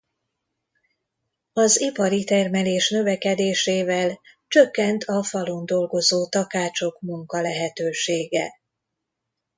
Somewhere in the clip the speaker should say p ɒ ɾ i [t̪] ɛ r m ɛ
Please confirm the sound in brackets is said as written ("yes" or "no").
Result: yes